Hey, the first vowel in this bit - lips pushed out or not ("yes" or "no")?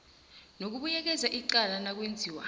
yes